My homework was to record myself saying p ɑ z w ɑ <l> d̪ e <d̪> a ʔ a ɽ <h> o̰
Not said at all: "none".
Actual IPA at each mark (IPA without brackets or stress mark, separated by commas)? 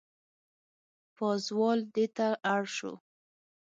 l, t̪, ʃ